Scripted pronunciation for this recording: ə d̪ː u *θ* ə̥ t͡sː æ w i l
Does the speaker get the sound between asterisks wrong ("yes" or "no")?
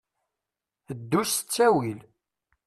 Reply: yes